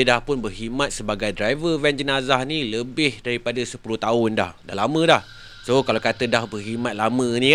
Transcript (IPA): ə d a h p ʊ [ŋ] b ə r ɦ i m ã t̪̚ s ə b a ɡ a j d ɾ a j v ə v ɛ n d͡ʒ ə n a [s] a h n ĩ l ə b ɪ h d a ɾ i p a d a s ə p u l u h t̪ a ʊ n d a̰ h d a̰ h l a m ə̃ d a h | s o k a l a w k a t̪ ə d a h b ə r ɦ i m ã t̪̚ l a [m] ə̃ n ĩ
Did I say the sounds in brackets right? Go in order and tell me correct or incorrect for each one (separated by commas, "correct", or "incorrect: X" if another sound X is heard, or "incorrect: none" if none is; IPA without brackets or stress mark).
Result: incorrect: n, incorrect: z, correct